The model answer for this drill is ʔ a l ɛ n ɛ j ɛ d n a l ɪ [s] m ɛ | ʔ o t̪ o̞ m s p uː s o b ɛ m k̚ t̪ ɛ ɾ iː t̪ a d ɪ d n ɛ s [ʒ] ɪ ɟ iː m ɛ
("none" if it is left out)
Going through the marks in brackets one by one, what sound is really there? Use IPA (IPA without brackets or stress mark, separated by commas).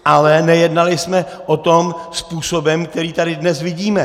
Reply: s, v